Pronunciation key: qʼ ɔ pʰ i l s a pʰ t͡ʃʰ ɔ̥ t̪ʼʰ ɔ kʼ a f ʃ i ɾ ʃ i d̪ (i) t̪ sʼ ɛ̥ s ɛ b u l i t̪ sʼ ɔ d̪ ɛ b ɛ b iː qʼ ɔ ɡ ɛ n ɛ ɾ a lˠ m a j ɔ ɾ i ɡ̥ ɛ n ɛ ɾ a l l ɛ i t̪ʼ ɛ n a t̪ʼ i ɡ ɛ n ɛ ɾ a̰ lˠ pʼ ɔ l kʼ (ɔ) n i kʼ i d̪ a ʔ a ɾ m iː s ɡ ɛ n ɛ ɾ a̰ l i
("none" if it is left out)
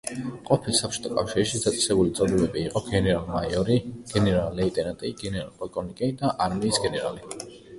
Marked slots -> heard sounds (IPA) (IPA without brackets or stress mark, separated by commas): a, ɔ